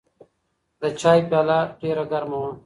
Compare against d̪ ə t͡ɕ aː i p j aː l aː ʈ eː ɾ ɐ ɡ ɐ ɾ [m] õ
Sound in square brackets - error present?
no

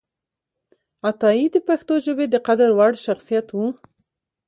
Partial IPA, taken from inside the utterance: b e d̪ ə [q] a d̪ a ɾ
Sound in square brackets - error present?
no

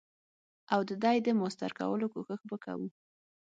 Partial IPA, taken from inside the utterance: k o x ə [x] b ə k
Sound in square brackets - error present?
no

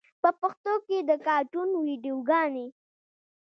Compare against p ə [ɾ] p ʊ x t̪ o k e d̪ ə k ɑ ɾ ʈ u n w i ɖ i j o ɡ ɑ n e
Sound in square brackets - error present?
yes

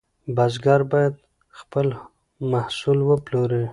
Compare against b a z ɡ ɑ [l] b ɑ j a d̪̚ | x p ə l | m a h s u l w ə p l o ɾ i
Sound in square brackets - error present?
yes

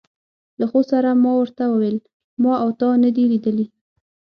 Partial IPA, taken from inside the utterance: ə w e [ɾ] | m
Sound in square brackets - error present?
yes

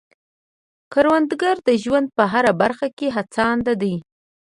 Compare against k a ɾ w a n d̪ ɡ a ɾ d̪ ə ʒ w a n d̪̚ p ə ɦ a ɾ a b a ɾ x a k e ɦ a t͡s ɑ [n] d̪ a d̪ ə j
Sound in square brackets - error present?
no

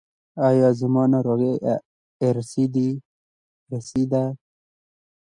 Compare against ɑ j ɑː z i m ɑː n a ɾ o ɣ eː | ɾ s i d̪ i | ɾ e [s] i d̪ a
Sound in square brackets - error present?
no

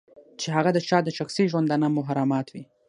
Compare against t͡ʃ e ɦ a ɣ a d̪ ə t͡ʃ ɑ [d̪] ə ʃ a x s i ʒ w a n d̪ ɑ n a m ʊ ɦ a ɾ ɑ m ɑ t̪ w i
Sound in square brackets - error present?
no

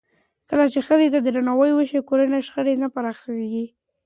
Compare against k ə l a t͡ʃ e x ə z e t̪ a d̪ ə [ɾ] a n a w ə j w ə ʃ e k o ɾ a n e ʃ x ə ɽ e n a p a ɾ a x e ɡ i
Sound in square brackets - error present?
no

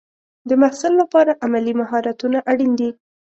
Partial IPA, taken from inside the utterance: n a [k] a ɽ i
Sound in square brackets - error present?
yes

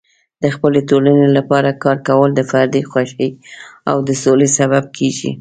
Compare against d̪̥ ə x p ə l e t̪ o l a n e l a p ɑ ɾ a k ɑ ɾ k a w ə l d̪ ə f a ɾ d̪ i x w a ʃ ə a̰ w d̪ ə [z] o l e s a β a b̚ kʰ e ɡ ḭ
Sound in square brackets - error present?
yes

